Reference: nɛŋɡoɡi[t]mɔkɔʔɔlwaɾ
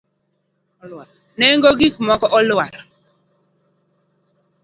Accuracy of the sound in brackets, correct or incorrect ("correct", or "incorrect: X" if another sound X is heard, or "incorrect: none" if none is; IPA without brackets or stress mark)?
incorrect: k